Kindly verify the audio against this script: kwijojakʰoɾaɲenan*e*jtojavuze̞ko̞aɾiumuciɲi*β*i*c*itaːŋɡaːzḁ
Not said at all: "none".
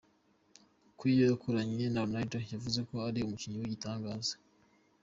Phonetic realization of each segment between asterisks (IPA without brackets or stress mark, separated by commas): a, w, ɟ